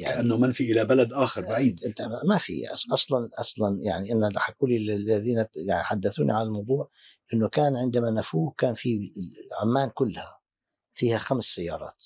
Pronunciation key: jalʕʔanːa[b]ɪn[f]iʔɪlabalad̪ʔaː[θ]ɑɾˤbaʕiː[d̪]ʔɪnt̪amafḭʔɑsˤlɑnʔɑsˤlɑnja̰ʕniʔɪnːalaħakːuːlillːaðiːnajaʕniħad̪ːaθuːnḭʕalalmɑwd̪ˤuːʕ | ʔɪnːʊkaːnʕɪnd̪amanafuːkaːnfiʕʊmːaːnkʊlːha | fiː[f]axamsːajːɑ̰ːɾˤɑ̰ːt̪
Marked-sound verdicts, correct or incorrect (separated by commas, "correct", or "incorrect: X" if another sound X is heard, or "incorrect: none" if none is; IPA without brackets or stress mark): incorrect: m, correct, incorrect: x, correct, incorrect: h